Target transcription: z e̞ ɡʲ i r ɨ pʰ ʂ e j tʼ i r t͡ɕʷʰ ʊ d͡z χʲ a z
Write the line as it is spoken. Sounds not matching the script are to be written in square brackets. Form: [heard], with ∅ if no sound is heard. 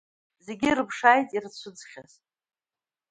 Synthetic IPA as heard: z e̞ ɡʲ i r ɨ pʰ ʂ [a] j tʼ i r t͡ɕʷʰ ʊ d͡z χʲ a z